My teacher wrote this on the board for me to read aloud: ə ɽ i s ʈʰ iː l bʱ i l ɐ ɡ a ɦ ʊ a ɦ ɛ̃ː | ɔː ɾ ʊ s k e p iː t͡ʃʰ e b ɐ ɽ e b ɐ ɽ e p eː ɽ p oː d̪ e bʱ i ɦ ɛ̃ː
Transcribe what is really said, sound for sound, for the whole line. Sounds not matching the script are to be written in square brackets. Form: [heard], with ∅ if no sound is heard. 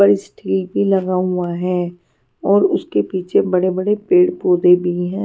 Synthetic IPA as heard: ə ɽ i s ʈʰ iː l bʱ i l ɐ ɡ a ɦ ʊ a ɦ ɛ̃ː | ɔː ɾ ʊ s k e p iː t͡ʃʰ e b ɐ ɽ e b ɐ ɽ e p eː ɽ p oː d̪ e bʱ i ɦ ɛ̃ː